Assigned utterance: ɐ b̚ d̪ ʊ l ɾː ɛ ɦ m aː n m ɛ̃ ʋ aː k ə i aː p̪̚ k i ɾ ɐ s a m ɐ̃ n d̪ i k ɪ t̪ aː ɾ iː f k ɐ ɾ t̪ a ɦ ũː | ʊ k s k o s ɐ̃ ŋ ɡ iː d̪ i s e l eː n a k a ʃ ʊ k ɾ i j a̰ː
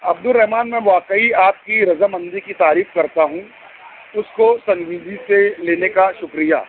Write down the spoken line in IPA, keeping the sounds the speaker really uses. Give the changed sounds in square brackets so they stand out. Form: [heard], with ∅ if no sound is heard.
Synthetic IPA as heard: ɐ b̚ d̪ ʊ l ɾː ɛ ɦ m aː n m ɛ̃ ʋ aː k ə i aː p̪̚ k i ɾ ɐ [z] a m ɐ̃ n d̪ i k [i] t̪ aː ɾ iː f k ɐ ɾ t̪ a ɦ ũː | ʊ [∅] s k o s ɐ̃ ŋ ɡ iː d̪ i s e l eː n [e] k a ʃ ʊ k ɾ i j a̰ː